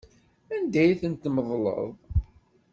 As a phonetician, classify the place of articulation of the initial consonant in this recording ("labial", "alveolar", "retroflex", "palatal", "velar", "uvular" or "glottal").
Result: alveolar